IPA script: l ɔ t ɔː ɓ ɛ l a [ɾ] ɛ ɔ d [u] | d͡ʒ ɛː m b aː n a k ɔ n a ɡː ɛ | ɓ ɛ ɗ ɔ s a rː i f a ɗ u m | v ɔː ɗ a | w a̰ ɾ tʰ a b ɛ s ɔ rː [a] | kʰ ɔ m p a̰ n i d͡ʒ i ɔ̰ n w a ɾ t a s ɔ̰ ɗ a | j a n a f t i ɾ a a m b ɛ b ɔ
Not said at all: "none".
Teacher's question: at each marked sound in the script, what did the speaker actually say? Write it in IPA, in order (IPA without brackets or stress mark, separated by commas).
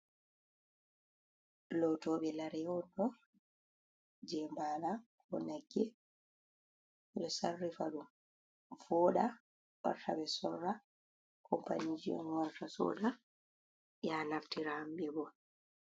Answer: ɾ, ɔ, a